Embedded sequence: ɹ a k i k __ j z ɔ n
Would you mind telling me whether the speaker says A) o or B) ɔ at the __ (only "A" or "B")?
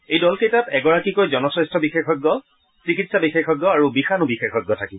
A